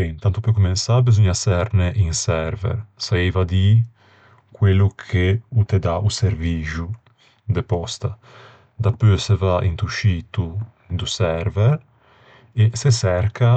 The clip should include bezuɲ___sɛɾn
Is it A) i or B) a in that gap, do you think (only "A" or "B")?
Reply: B